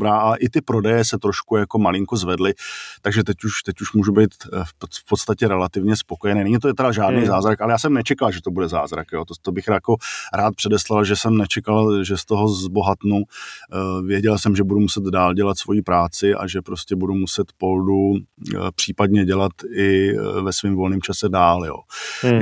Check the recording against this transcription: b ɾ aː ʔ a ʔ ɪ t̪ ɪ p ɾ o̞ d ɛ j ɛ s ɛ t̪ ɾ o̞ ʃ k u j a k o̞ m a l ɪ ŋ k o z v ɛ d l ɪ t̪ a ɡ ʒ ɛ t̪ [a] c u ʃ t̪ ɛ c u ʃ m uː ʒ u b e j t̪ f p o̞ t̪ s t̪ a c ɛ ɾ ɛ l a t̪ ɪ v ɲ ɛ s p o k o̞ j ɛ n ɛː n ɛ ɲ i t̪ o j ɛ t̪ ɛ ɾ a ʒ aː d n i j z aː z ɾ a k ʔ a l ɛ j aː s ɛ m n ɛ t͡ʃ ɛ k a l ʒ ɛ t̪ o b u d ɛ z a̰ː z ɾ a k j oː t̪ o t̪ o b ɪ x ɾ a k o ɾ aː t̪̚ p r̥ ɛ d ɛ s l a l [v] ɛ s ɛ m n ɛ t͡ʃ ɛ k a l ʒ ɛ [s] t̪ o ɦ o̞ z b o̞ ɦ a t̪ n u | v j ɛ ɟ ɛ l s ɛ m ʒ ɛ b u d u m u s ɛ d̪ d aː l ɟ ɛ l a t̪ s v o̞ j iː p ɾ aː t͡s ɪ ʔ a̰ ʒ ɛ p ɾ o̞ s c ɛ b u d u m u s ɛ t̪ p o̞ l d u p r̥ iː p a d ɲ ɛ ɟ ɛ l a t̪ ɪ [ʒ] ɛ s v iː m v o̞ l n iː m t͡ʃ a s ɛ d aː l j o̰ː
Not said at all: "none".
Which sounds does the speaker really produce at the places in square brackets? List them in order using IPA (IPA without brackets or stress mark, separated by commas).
ɛ, ʒ, s, v